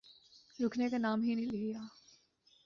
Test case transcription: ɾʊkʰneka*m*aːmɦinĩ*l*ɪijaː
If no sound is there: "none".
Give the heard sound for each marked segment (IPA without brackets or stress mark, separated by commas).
n, l